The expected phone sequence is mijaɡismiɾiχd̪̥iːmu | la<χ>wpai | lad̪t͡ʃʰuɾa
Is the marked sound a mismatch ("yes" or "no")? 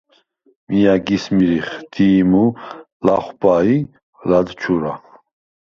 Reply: no